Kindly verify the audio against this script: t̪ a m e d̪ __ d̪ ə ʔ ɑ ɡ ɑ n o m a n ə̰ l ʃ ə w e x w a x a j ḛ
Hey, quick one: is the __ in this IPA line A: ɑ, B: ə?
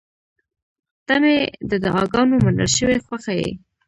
B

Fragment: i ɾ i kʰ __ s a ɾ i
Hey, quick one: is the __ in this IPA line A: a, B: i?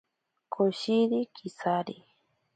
B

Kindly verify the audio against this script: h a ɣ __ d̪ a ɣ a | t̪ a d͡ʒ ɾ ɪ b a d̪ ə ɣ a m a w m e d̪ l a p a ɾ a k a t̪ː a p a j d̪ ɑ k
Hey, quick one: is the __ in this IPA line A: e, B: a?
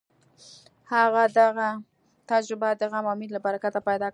B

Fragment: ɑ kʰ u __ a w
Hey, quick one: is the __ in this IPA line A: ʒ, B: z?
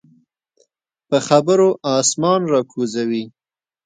B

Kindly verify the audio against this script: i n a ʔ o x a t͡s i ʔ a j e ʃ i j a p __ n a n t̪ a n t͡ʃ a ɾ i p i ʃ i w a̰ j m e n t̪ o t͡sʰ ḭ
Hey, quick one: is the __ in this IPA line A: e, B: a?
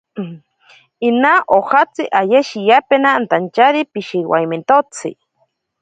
A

